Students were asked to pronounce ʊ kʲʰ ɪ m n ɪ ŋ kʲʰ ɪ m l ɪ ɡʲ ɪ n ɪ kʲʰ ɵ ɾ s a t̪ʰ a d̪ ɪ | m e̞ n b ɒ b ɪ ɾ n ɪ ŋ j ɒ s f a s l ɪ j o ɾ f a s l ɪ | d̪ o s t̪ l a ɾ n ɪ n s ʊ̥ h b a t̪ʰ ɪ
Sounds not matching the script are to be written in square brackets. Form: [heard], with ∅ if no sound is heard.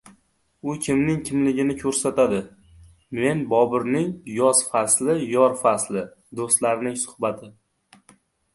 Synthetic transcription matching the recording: ʊ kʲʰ ɪ m n ɪ ŋ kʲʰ ɪ m l ɪ ɡʲ ɪ n ɪ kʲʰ ɵ ɾ s a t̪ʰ a d̪ ɪ | m e̞ n b ɒ b ɪ ɾ n ɪ ŋ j ɒ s f a s l ɪ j [ɒ] ɾ f a s l ɪ | d̪ o s t̪ l a ɾ n ɪ [ŋ] s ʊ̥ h b a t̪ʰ ɪ